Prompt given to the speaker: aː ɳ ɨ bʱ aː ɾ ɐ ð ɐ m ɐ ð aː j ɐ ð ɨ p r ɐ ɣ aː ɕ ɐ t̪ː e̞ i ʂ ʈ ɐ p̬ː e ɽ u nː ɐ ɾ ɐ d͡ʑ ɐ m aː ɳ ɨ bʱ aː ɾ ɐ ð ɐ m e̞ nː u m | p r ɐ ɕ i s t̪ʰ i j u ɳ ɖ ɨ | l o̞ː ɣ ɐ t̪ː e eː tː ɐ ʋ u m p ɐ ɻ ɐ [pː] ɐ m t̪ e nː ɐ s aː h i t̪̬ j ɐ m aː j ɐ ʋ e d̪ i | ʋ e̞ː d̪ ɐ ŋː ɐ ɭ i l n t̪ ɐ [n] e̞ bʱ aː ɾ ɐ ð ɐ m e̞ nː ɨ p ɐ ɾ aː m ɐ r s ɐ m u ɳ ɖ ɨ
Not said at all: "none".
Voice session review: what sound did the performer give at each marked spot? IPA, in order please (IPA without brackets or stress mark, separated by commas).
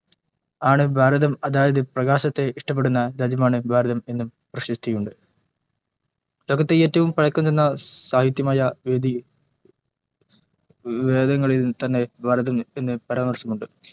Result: kː, nː